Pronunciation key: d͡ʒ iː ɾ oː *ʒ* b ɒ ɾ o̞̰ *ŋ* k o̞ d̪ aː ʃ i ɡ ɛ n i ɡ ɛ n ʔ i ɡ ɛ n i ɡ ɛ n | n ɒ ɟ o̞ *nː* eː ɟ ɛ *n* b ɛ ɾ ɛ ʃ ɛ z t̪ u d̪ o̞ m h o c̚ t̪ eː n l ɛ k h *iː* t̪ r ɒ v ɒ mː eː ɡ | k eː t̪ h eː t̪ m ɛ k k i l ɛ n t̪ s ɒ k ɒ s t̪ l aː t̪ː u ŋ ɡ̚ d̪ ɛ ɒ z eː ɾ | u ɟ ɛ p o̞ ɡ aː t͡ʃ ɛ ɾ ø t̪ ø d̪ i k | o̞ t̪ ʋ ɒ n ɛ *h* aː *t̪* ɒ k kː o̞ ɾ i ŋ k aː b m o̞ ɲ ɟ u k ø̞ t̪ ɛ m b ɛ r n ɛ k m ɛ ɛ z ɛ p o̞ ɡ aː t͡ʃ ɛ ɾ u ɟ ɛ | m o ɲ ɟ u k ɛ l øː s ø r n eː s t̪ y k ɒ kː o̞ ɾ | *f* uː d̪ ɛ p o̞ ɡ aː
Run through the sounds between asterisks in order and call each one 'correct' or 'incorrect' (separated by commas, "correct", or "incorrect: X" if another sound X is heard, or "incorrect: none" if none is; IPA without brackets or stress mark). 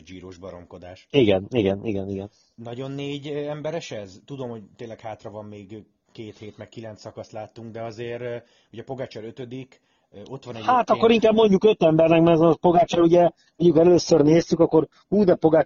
correct, incorrect: m, correct, incorrect: m, incorrect: aː, correct, correct, incorrect: h